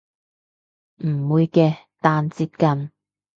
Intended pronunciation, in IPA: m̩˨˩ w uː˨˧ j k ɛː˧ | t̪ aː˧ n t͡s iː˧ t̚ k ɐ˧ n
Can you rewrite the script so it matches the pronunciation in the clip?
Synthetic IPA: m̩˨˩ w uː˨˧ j k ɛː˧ | t̪ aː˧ n t͡s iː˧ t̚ k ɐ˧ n